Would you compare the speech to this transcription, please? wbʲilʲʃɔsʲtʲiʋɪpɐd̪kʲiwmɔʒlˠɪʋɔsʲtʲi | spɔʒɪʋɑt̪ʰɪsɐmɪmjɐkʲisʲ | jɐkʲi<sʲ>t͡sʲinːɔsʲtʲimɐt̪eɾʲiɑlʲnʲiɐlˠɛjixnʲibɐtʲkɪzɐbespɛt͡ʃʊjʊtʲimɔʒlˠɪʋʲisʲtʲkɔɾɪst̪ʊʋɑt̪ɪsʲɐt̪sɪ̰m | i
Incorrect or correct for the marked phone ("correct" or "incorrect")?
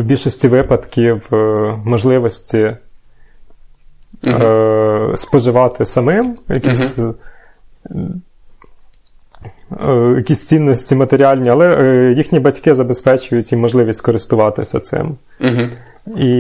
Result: correct